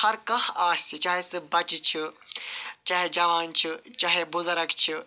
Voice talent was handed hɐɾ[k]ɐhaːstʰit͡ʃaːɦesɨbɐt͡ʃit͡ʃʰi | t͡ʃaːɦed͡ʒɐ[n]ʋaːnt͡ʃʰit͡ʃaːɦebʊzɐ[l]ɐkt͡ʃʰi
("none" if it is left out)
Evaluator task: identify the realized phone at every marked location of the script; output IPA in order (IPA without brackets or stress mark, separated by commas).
k, none, ɾ